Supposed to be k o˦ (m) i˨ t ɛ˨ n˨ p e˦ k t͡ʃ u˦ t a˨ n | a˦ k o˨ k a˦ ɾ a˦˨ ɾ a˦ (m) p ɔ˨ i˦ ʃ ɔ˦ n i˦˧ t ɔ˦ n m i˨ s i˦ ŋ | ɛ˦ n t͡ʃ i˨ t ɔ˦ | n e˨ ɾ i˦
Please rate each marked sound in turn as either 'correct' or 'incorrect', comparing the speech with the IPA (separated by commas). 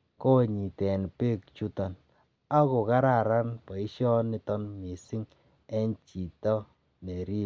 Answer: incorrect, incorrect